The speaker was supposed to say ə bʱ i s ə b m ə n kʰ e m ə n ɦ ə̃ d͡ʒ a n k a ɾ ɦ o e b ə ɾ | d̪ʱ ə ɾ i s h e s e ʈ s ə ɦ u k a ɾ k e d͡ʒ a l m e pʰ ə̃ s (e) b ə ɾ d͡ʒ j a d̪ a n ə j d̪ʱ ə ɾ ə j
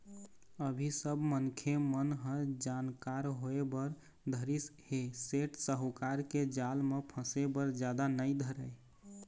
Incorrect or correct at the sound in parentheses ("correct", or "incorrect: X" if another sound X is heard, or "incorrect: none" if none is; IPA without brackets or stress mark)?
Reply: correct